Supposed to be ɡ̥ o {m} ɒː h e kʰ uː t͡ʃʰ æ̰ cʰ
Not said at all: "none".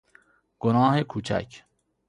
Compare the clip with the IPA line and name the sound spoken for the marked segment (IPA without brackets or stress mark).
n